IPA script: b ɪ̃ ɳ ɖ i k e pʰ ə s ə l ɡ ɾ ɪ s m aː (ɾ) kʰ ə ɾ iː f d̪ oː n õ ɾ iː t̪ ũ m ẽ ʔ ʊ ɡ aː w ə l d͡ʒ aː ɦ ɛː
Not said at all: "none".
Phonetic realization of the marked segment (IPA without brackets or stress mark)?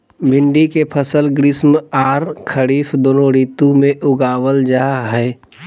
ɾ